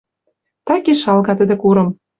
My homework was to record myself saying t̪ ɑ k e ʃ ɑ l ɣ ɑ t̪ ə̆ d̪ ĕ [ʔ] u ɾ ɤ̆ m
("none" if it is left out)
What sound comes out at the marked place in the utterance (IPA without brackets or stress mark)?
k